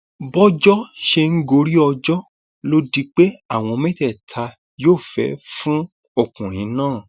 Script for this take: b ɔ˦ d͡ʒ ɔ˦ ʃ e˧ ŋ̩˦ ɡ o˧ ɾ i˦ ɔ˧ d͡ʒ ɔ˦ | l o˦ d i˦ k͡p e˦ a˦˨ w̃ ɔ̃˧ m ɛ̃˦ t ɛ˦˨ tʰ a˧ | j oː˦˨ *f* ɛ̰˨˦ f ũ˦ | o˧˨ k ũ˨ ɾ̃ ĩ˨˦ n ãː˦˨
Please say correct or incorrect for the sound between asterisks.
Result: correct